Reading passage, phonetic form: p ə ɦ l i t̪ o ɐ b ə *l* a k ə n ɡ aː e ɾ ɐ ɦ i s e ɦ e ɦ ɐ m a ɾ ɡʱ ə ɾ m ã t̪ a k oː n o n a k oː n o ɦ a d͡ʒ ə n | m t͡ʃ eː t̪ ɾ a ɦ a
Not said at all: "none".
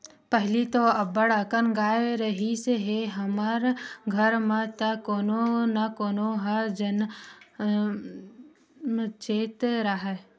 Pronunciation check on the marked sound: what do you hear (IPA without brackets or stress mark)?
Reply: ɽ